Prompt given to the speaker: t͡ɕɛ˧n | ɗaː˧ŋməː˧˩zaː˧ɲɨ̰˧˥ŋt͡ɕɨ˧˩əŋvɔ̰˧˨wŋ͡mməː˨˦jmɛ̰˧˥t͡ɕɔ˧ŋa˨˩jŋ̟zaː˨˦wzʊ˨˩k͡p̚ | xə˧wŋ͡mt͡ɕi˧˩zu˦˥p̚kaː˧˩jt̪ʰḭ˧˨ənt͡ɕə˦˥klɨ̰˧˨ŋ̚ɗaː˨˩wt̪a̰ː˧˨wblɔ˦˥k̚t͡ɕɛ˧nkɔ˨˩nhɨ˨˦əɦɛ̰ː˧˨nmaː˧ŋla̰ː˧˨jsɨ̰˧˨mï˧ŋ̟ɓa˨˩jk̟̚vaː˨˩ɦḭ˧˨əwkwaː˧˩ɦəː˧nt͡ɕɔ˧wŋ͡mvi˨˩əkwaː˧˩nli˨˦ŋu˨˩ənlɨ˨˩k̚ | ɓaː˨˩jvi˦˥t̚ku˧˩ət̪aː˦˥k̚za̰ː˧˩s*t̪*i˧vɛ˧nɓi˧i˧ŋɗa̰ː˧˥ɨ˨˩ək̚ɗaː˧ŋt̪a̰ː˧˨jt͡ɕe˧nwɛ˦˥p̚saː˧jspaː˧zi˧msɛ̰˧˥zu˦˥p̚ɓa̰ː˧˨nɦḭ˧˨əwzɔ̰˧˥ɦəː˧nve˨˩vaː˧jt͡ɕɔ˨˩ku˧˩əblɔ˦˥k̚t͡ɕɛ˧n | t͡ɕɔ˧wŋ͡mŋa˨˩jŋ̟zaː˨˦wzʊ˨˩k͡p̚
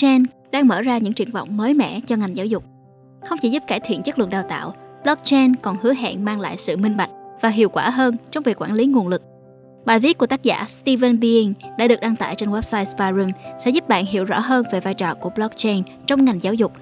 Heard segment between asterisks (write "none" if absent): t̪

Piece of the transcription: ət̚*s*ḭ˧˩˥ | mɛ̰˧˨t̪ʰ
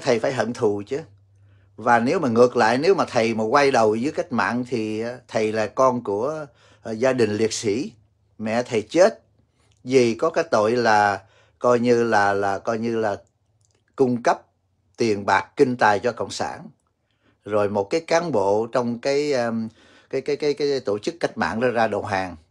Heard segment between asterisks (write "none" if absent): s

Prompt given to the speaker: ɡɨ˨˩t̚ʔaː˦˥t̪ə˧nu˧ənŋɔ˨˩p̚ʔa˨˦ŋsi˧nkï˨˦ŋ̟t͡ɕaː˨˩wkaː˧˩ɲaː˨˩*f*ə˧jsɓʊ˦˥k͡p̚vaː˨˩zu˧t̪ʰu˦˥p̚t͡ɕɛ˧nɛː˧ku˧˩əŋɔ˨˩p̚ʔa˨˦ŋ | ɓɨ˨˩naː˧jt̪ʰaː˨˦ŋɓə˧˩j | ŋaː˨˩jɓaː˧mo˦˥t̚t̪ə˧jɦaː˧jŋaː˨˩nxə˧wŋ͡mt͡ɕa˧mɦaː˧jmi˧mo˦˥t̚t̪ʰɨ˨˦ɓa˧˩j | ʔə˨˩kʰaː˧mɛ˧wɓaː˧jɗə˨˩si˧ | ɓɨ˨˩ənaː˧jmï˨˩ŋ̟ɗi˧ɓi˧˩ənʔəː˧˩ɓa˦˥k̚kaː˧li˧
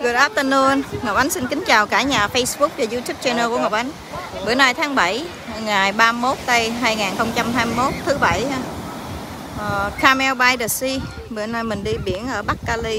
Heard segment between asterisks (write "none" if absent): f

